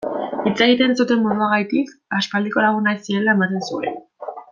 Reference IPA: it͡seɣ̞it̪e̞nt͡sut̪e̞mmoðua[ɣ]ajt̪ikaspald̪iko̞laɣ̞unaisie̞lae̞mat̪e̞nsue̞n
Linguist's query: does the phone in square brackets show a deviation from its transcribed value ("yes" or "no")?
no